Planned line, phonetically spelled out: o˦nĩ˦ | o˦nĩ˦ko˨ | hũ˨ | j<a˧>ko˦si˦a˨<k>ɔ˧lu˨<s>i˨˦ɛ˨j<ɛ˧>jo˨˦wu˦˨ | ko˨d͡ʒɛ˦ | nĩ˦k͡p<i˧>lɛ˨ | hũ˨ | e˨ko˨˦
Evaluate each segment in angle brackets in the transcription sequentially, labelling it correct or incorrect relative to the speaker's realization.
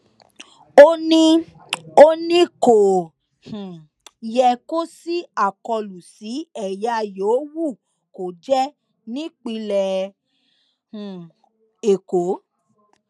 incorrect: ɛ˧, correct, correct, incorrect: a˧, correct

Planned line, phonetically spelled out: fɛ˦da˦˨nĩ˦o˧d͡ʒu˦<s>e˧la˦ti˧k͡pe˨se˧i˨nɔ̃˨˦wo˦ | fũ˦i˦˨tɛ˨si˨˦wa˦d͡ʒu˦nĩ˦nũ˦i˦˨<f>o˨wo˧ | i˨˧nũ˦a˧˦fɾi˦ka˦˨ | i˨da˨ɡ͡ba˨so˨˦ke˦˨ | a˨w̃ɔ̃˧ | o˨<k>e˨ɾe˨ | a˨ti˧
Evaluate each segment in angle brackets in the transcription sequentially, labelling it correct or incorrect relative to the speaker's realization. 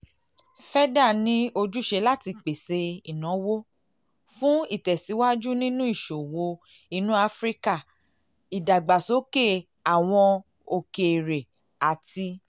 incorrect: ʃ, incorrect: ʃ, correct

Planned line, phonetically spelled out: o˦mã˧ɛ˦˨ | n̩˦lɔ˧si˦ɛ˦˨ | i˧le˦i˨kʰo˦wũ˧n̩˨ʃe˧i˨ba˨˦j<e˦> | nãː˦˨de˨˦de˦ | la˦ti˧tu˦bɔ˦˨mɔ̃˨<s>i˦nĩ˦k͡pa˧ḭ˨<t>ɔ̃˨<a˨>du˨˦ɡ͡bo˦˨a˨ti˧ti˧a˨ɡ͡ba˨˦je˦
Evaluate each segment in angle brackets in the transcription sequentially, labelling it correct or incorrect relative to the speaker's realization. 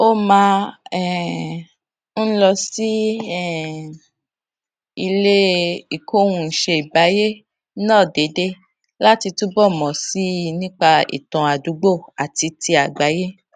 correct, correct, correct, correct

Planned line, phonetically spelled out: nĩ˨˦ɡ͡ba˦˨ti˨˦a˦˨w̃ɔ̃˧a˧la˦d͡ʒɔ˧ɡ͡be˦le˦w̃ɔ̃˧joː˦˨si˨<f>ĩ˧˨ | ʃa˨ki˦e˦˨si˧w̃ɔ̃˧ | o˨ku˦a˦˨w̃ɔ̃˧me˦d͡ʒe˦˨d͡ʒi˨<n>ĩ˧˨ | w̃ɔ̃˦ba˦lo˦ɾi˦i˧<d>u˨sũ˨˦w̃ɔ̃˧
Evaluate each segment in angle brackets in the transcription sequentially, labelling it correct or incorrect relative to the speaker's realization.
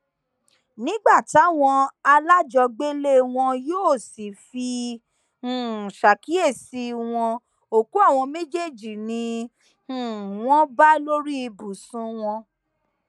correct, correct, incorrect: b

